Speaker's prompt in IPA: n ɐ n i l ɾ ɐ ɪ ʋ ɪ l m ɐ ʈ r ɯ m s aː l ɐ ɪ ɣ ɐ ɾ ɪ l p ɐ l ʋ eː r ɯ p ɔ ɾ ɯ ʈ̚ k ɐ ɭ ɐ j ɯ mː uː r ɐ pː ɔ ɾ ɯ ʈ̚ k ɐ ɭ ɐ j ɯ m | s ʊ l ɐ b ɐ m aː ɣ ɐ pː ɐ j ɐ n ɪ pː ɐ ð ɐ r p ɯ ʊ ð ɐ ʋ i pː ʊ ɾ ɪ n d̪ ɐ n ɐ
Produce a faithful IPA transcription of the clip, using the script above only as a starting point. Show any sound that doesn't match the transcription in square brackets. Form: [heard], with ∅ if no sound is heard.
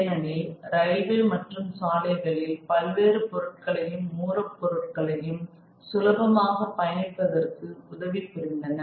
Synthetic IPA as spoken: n ɐ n [ɪ] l ɾ ɐ ɪ ʋ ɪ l m ɐ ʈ r ɯ m s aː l ɐ ɪ ɣ ɐ [ɭ] ɪ l p ɐ l ʋ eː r ɯ p ɔ ɾ ɯ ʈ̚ k ɐ ɭ ɐ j ɯ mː uː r ɐ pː ɔ ɾ ɯ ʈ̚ k ɐ ɭ ɐ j ɯ m | s ʊ l ɐ b ɐ m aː ɣ ɐ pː ɐ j ɐ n ɪ pː ɐ ð ɐ r [k] ɯ ʊ ð ɐ ʋ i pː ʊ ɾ ɪ n d̪ ɐ n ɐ